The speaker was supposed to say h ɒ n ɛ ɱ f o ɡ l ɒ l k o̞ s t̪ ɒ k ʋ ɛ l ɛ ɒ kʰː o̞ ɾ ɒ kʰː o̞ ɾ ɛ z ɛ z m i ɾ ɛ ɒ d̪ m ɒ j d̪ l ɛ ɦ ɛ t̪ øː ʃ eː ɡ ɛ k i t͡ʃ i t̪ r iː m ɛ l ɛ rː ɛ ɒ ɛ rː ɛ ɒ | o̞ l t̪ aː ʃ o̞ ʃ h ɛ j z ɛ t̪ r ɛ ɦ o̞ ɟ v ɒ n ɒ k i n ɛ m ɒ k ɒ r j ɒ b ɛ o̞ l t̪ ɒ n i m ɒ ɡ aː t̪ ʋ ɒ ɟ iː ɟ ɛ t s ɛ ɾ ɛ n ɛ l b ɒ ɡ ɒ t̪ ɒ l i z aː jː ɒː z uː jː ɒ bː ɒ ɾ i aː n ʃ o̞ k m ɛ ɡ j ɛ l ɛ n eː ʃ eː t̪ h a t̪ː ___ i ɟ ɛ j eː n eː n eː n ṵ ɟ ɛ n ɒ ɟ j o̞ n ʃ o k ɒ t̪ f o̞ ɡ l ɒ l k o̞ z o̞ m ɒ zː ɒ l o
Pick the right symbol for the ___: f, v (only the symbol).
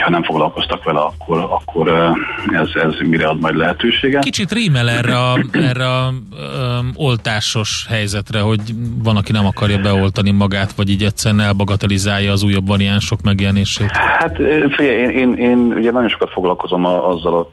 f